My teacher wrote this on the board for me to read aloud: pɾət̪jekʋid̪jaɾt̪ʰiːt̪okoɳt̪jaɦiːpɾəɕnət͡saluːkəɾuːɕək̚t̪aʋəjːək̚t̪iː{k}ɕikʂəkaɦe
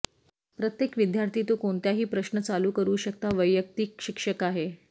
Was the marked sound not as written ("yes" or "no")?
no